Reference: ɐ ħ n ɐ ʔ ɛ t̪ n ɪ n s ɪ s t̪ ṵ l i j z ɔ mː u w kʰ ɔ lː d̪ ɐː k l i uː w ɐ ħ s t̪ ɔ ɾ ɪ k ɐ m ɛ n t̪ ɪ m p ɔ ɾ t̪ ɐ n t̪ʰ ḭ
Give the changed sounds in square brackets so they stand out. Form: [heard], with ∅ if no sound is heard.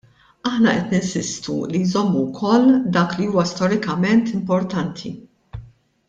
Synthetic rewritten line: ɐ ħ n ɐ ʔ ɛ t̪ n ɪ n s ɪ s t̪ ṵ l i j z ɔ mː u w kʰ ɔ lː d̪ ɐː k l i uː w ɐ [∅] s t̪ ɔ ɾ ɪ k ɐ m ɛ n t̪ ɪ m p ɔ ɾ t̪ ɐ n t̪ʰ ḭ